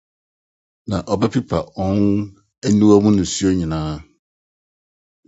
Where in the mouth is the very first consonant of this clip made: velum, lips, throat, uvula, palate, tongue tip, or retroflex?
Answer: tongue tip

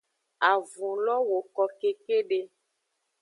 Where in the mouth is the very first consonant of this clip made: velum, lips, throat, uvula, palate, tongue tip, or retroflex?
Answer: lips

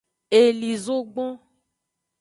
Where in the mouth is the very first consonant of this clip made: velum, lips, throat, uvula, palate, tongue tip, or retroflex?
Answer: tongue tip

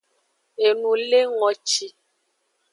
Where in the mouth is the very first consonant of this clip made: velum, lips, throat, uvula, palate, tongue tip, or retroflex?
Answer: tongue tip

